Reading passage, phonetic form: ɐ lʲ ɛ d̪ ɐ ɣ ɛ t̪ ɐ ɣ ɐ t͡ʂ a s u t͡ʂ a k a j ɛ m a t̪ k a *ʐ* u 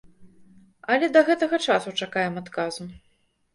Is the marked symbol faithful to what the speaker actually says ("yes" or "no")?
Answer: no